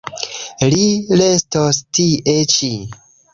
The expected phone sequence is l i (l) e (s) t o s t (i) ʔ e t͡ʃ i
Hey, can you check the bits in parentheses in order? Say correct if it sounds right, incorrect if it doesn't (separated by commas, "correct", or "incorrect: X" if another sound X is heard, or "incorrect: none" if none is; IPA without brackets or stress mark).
correct, correct, correct